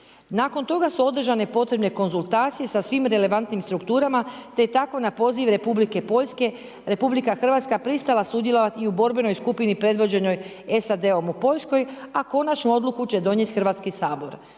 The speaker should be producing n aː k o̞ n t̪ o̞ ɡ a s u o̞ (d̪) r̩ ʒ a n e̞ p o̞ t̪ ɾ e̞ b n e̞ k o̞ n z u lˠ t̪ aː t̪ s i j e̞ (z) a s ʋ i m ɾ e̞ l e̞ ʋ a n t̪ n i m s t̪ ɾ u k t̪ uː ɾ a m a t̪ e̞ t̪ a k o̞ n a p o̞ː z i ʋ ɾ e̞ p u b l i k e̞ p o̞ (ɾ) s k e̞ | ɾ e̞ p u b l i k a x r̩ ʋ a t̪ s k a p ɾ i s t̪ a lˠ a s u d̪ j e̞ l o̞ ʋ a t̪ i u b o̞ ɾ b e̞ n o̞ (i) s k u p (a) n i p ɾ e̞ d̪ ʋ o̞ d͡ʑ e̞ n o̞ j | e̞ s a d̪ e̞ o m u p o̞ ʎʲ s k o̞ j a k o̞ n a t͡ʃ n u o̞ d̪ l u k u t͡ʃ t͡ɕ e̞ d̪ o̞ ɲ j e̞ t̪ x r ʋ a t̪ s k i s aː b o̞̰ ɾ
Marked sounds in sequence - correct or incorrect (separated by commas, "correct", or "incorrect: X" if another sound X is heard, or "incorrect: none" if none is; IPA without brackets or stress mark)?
correct, incorrect: s, incorrect: ʎ, incorrect: j, incorrect: i